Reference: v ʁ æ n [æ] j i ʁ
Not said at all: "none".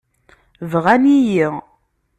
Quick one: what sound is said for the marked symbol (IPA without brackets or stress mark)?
i